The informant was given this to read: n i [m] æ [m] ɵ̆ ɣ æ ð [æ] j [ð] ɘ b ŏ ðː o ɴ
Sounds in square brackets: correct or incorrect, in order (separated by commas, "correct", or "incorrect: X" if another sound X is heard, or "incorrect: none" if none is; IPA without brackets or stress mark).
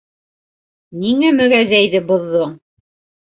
incorrect: ŋ, correct, correct, correct